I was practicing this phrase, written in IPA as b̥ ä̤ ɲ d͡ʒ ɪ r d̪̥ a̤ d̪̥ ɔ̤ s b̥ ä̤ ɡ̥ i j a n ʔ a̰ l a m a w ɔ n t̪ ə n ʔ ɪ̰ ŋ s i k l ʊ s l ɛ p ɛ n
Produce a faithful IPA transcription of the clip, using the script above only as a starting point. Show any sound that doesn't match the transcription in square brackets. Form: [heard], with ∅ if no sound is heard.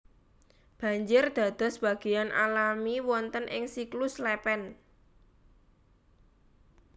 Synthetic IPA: b̥ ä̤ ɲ d͡ʒ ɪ r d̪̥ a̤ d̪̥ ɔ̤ s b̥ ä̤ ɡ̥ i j a n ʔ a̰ l a m [i] w ɔ n t̪ ə n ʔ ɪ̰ ŋ s i k l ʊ s l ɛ p ɛ n